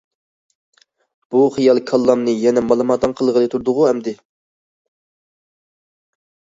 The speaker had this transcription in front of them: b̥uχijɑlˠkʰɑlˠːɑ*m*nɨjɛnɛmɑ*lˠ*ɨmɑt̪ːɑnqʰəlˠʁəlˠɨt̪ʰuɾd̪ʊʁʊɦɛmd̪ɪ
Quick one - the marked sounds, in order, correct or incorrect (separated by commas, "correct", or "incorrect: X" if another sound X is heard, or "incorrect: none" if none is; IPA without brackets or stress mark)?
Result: correct, correct